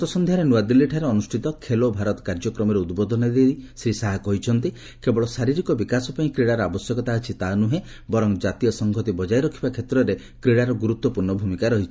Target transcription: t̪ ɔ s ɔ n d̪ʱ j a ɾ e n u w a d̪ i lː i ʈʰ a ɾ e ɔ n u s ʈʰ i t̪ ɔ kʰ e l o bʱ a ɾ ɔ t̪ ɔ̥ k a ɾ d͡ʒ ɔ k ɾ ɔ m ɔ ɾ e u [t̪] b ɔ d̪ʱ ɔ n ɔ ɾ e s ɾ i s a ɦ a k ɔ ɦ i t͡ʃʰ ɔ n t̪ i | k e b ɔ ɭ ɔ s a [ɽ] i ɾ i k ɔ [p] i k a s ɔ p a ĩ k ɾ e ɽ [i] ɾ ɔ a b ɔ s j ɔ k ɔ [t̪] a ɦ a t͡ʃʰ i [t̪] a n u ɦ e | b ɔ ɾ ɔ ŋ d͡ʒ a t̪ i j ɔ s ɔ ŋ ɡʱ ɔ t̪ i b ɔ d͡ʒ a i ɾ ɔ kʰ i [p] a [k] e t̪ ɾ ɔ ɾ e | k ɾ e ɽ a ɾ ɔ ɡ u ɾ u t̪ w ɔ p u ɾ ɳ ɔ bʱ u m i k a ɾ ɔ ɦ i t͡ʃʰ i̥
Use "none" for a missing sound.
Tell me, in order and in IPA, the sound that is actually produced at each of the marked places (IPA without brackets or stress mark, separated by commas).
d̪, ɾ, b, a, t̪, t̪, b, kʰ